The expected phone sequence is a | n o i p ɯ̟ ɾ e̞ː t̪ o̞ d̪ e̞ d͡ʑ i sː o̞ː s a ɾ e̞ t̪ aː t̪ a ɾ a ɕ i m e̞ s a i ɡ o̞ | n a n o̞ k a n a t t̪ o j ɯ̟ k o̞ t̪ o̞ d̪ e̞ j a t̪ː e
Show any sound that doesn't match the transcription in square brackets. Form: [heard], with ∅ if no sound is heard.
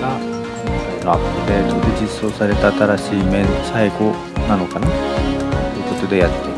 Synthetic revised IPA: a | n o [a] p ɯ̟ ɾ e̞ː t̪ o̞ d̪ e̞ d͡ʑ i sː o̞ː s a ɾ e̞ t̪ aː t̪ a ɾ a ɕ [iː] m e̞ s a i ɡ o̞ | n a n o̞ k a n a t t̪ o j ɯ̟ k o̞ t̪ o̞ d̪ e̞ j a t̪ː e

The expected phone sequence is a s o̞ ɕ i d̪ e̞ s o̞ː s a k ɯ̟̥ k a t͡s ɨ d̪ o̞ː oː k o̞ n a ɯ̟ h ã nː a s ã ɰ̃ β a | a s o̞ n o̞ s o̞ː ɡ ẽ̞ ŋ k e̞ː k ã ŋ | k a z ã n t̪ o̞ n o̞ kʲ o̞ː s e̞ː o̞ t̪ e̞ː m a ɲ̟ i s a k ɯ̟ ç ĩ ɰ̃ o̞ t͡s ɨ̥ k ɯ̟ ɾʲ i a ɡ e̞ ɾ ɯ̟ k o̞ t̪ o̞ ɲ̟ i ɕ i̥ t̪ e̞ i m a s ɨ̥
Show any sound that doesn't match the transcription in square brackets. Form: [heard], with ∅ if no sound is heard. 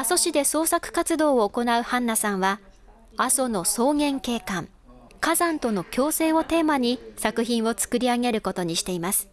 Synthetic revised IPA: a s o̞ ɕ i d̪ e̞ s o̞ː s a k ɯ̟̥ k a t͡s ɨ d̪ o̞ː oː k o̞ n a ɯ̟ h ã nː a s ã ɰ̃ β a | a s o̞ n o̞ s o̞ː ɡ ẽ̞ ŋ k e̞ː k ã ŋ | k a z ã n t̪ o̞ n o̞ kʲ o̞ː s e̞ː o̞ t̪ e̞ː m a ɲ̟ i s a k ɯ̟ ç ĩ ɰ̃ o̞ t͡s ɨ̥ k ɯ̟ ɾʲ i a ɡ e̞ ɾ ɯ̟ k o̞ t̪ o̞ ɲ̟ i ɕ i̥ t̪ e̞ i m a s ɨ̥

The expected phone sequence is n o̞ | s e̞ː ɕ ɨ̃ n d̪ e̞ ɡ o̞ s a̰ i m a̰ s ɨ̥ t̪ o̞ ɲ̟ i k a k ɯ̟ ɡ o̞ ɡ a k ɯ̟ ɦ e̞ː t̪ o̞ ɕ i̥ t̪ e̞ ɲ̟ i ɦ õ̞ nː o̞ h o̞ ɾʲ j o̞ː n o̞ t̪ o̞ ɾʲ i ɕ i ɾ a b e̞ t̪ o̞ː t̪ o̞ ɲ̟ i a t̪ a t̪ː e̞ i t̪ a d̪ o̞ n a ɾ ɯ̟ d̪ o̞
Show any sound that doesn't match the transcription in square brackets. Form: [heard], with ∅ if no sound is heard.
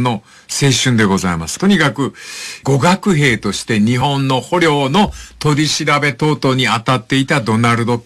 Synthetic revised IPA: n o̞ | s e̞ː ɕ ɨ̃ n d̪ e̞ ɡ o̞ [z] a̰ i m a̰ s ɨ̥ t̪ o̞ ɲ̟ i k a k ɯ̟ ɡ o̞ ɡ a k ɯ̟ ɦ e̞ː t̪ o̞ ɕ i̥ t̪ e̞ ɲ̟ i ɦ õ̞ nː o̞ h o̞ ɾʲ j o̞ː n o̞ t̪ o̞ ɾʲ i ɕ i ɾ a b e̞ t̪ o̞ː t̪ o̞ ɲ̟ i a t̪ a t̪ː e̞ i t̪ a d̪ o̞ n a ɾ ɯ̟ d̪ o̞

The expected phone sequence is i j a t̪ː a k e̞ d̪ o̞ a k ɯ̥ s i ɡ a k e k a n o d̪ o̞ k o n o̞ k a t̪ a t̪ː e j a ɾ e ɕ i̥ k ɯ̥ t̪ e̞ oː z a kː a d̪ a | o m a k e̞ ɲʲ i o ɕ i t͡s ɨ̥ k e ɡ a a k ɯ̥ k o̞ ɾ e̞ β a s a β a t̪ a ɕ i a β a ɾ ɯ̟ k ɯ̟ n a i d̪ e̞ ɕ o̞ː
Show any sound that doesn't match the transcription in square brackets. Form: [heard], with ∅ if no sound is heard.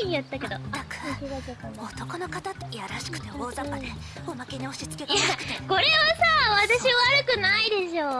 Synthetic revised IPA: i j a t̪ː a k e̞ d̪ o̞ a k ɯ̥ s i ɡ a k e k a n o [t̪] o̞ k o n o̞ k a t̪ a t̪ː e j a ɾ [a] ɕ i̥ k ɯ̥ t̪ e̞ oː z a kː a d̪ [e] | o m a k e̞ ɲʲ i o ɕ i t͡s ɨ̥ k e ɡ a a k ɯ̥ k o̞ ɾ e̞ β a s a β a t̪ a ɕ i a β a ɾ ɯ̟ k ɯ̟ n a i d̪ e̞ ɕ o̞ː

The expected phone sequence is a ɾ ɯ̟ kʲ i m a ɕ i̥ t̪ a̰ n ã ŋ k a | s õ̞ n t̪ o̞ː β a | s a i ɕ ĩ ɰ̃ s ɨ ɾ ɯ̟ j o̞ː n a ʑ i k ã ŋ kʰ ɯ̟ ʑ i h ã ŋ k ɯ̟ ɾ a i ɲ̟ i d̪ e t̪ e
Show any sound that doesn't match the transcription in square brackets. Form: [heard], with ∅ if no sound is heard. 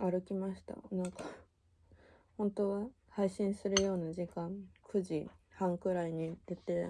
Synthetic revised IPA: a ɾ ɯ̟ kʲ i m a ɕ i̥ t̪ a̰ n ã ŋ k a | [h] õ̞ n t̪ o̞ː β a | [h] a i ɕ ĩ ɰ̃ s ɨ ɾ ɯ̟ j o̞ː n a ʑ i k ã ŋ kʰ ɯ̟ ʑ i h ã ŋ k ɯ̟ ɾ a i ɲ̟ i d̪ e t̪ e

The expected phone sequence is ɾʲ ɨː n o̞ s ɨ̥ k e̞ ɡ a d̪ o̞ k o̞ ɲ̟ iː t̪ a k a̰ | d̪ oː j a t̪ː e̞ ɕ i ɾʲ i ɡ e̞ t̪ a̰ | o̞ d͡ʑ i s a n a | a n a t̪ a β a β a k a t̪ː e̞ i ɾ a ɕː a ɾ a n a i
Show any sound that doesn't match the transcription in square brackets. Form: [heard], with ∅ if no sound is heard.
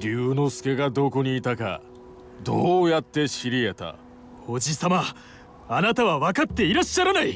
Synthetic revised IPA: ɾʲ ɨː n o̞ s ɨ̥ k e̞ ɡ a d̪ o̞ k o̞ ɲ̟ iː t̪ a k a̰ | d̪ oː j a t̪ː e̞ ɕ i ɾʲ i [∅] e̞ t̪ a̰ | o̞ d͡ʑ i s a [m] a | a n a t̪ a β a β a k a t̪ː e̞ i ɾ a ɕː a ɾ a n a i

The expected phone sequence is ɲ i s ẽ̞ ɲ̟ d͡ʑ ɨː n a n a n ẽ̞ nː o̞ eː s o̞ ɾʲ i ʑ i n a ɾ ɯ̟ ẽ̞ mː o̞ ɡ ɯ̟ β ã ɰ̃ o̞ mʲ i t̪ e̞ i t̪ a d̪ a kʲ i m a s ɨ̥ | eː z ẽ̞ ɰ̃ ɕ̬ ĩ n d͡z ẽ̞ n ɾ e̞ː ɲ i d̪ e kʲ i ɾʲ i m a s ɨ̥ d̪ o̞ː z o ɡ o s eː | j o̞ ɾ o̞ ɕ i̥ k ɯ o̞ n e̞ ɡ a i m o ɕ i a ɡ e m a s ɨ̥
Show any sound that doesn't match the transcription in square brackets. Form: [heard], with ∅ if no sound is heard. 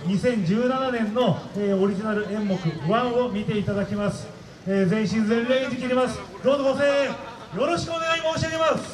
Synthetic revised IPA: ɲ i s ẽ̞ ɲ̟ d͡ʑ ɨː n a n a n ẽ̞ nː o̞ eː [∅] o̞ ɾʲ i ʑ i n a ɾ ɯ̟ ẽ̞ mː o̞ [k] ɯ̟ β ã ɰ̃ o̞ mʲ i t̪ e̞ i t̪ a d̪ a kʲ i m a s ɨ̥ | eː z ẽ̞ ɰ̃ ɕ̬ ĩ n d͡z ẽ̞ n ɾ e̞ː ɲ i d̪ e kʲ i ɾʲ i m a s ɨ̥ d̪ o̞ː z o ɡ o s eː | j o̞ ɾ o̞ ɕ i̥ k ɯ o̞ n e̞ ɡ a i m o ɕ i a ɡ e m a s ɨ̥

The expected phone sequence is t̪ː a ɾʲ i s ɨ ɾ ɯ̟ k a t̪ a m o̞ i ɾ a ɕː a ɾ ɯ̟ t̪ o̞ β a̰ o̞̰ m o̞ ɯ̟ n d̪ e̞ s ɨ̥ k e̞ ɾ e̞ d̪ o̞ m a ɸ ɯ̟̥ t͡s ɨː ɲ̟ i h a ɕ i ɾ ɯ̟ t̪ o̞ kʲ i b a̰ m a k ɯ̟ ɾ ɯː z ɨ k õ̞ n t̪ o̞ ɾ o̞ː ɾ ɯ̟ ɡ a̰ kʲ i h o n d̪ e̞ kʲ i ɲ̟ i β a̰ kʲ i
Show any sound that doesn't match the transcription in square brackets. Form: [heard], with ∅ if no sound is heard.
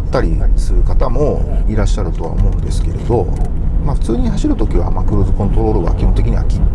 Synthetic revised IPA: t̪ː a ɾʲ i s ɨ ɾ ɯ̟ k a t̪ a m o̞ i ɾ a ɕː a ɾ ɯ̟ t̪ o̞ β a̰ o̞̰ m o̞ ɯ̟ n d̪ e̞ s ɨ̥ k e̞ ɾ e̞ d̪ o̞ m a ɸ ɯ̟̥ t͡s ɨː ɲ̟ i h a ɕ i ɾ ɯ̟ t̪ o̞ kʲ i [β] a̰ m a k ɯ̟ ɾ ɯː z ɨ k õ̞ n t̪ o̞ ɾ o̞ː ɾ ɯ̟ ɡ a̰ kʲ i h o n [t̪] e̞ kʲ i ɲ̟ i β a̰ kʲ i

